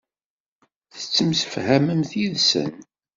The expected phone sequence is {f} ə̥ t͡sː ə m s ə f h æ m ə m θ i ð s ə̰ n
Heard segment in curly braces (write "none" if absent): θ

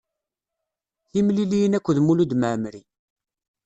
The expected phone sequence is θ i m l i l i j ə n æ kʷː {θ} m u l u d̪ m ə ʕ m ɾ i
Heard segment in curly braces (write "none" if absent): ð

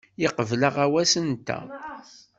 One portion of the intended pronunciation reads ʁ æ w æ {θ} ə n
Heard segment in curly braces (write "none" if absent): s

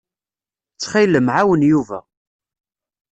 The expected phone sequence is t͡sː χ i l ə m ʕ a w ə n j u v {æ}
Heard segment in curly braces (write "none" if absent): æ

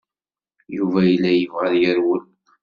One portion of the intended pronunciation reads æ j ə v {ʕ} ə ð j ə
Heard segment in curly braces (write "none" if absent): ʁ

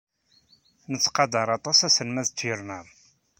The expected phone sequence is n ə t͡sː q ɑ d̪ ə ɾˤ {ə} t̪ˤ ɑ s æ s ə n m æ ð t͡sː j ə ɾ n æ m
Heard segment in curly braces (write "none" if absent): ɑ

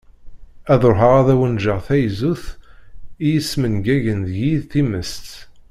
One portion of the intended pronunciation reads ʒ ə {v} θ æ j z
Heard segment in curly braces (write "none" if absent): ʁ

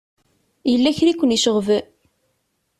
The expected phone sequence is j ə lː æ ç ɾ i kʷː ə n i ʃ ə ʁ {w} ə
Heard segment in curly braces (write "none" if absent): v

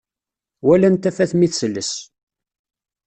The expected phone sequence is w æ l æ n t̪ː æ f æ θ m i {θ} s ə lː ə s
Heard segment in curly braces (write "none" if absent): θ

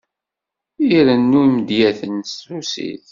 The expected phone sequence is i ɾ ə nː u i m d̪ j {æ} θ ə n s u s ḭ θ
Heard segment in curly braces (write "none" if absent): æ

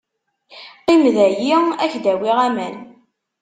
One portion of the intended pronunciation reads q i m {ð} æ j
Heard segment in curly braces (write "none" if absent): ð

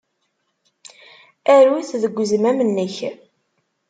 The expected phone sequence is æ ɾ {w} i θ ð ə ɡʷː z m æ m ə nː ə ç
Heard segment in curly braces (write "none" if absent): w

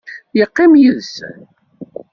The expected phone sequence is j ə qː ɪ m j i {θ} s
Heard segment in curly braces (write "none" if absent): ð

